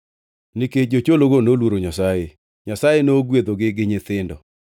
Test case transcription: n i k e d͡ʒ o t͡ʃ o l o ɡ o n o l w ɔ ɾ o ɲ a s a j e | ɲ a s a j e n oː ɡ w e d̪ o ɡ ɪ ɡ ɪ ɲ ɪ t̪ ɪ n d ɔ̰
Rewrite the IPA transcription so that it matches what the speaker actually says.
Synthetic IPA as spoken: n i k e d͡ʒ o t͡ʃ o l o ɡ o n o l w o ɾ o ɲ a s a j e | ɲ a s a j e n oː ɡ w e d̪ o ɡ ɪ ɡ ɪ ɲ ɪ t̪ ɪ n d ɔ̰